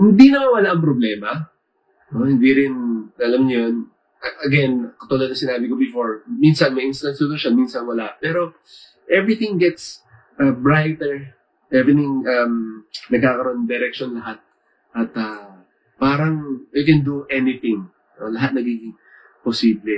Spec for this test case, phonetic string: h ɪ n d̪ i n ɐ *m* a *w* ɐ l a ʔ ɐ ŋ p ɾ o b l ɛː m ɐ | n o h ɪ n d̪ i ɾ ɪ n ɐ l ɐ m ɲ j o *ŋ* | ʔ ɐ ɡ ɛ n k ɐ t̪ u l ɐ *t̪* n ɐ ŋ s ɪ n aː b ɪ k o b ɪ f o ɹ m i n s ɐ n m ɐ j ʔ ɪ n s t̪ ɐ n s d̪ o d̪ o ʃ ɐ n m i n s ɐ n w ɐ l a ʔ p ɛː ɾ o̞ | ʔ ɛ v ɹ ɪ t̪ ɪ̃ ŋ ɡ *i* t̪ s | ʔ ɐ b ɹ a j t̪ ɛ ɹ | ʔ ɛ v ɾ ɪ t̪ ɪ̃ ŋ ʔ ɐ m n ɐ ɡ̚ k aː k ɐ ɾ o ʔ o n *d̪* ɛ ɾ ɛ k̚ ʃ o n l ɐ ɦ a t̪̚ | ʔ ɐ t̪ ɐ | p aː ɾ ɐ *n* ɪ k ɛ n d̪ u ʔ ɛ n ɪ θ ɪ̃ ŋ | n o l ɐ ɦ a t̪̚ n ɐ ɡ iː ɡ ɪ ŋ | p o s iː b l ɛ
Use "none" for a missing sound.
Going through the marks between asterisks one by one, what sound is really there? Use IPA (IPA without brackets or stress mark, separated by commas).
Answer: m, w, n, d̪, ɛ, d̪, ŋ